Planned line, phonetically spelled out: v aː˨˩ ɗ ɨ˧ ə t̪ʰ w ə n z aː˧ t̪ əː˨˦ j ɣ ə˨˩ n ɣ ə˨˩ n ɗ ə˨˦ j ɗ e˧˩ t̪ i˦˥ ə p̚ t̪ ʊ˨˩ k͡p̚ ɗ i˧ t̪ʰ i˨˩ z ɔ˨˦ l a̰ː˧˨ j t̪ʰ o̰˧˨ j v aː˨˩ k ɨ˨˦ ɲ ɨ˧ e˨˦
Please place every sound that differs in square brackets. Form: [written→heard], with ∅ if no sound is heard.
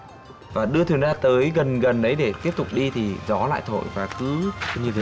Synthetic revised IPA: v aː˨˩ ɗ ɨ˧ ə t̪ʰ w ə n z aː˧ t̪ əː˨˦ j ɣ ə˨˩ n ɣ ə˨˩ n ɗ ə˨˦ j ɗ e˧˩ t̪ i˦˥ ə p̚ t̪ ʊ˨˩ k͡p̚ ɗ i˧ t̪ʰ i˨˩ z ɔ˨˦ l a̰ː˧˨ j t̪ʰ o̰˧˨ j v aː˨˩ k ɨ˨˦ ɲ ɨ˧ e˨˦